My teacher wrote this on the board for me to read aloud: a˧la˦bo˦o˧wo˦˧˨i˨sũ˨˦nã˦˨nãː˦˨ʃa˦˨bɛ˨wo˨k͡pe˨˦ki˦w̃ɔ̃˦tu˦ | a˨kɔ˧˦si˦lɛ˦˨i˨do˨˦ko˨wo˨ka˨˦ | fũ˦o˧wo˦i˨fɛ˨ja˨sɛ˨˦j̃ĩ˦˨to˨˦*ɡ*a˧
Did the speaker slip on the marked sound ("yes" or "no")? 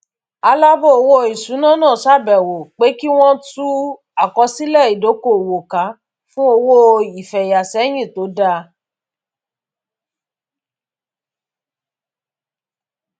yes